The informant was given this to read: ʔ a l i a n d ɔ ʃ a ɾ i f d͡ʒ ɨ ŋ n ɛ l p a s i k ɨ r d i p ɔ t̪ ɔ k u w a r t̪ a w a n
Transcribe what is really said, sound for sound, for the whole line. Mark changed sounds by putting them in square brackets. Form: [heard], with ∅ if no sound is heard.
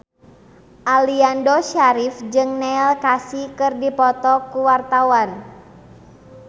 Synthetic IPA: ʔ a l i a n d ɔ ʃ a ɾ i f d͡ʒ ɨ ŋ n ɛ l [k] a s i k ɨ r d i p ɔ t̪ ɔ k u w a r t̪ a w a n